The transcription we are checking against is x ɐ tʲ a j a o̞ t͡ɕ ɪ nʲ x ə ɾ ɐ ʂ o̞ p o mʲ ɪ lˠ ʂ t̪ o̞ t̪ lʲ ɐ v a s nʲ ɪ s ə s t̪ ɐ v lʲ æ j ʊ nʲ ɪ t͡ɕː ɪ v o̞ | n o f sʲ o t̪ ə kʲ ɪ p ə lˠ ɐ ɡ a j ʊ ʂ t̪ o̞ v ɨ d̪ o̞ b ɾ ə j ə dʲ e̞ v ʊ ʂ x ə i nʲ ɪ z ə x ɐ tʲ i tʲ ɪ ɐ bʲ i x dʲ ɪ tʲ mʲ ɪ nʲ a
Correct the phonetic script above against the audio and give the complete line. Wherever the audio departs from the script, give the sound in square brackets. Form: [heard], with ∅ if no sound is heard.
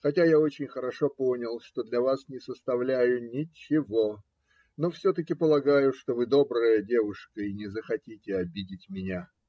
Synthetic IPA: x ɐ tʲ a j a o̞ t͡ɕ ɪ nʲ x ə ɾ ɐ ʂ o̞ p o [nʲ] ɪ lˠ ʂ t̪ o̞ [d̪] lʲ ɐ v a s nʲ ɪ s ə s t̪ ɐ v lʲ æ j ʊ nʲ ɪ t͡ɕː ɪ v o̞ | n o f sʲ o t̪ ə kʲ ɪ p ə lˠ ɐ ɡ a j ʊ ʂ t̪ o̞ v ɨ d̪ o̞ b ɾ ə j ə dʲ e̞ v ʊ ʂ [k] ə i nʲ ɪ z ə x ɐ tʲ i tʲ ɪ ɐ bʲ i [∅] dʲ ɪ tʲ mʲ ɪ nʲ a